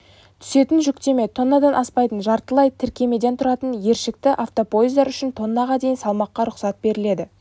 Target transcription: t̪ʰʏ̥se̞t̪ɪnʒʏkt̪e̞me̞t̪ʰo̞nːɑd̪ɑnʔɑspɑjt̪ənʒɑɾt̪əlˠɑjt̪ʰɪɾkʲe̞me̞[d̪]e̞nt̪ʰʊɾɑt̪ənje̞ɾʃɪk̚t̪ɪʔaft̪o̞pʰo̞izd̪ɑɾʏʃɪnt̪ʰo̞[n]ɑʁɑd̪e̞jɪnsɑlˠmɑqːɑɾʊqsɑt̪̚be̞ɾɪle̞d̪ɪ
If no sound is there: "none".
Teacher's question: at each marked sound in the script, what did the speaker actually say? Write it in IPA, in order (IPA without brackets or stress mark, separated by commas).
d̪, nː